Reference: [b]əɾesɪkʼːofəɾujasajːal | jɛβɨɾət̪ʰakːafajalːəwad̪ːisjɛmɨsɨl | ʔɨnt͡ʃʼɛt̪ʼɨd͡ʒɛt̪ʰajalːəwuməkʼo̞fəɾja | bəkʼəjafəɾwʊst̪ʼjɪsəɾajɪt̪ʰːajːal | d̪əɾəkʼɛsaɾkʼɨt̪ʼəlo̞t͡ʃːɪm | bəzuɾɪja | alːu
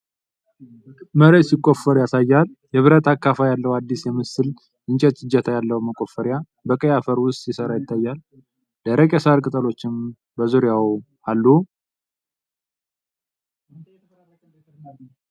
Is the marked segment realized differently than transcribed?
yes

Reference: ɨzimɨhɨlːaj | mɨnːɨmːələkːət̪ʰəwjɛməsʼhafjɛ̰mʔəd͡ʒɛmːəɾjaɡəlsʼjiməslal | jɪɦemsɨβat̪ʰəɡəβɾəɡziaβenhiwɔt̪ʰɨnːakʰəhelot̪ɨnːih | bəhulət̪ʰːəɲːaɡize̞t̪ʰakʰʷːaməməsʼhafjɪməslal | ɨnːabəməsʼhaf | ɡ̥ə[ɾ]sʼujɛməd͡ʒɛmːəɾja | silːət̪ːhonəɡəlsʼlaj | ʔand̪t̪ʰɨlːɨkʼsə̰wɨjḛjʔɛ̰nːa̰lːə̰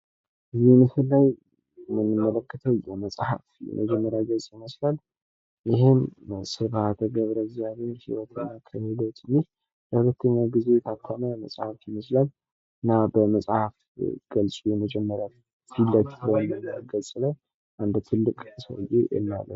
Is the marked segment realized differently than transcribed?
yes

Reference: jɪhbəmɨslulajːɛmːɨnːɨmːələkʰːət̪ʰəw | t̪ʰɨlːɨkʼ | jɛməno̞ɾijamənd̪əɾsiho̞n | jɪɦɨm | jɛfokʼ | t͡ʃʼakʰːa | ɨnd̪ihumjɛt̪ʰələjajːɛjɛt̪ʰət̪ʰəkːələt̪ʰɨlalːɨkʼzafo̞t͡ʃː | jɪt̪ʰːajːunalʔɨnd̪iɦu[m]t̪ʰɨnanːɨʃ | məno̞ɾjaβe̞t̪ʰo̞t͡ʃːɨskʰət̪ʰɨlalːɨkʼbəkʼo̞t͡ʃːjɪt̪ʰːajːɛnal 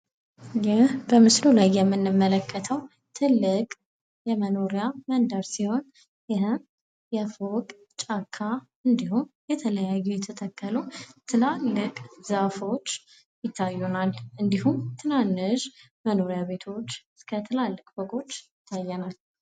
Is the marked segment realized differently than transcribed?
no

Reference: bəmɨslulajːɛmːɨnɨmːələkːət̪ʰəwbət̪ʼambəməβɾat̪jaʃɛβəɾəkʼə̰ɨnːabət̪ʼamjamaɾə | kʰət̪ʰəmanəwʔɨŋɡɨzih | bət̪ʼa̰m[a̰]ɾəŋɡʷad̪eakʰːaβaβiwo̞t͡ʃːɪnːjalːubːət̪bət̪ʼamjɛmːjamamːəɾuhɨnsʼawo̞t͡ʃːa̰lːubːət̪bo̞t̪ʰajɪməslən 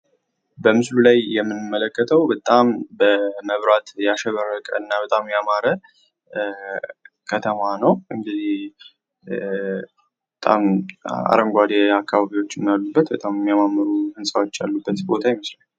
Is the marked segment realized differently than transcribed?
no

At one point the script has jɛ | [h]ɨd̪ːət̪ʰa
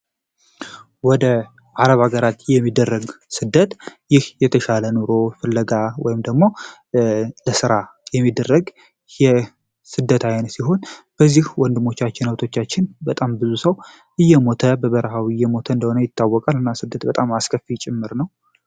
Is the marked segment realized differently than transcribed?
yes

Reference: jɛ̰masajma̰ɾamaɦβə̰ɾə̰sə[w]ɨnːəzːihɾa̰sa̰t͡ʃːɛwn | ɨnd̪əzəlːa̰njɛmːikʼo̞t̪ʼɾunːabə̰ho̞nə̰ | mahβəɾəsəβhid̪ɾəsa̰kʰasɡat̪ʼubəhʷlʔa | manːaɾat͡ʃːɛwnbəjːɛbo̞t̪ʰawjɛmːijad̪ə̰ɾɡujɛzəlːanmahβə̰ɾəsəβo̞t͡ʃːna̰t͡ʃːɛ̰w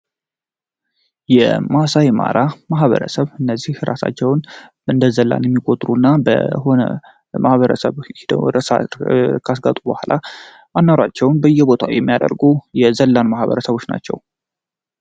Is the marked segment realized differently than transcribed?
yes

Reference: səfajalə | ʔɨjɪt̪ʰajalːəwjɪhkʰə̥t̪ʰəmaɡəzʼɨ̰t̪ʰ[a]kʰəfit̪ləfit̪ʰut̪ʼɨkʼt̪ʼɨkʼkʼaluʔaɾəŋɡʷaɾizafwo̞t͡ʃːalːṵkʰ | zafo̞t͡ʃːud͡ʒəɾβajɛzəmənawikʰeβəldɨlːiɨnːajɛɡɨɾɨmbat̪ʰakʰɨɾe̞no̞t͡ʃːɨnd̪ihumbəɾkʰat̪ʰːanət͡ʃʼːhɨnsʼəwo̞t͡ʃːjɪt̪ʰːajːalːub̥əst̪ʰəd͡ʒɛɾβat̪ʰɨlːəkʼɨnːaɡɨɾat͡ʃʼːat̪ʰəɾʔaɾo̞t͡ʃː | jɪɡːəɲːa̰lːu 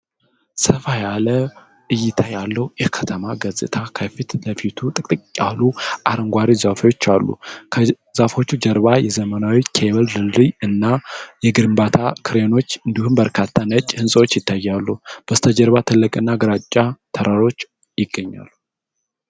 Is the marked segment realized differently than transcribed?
no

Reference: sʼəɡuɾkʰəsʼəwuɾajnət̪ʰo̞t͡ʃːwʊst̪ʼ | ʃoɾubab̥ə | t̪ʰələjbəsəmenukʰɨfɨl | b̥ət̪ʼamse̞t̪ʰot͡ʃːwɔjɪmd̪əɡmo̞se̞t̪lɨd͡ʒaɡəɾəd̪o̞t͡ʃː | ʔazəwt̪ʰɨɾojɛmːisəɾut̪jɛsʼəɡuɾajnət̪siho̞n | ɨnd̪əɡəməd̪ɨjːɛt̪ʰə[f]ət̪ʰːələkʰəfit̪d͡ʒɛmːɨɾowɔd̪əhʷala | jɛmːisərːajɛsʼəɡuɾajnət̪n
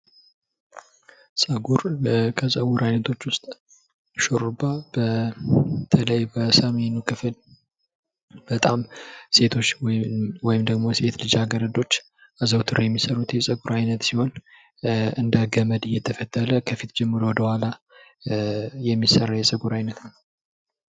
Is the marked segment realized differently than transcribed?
no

